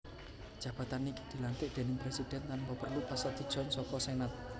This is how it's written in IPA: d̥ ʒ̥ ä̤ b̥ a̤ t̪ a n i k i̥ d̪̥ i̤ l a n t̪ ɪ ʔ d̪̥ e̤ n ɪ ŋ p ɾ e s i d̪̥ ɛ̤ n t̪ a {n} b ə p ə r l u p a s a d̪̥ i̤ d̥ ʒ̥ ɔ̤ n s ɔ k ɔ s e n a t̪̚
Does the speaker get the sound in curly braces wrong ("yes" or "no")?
no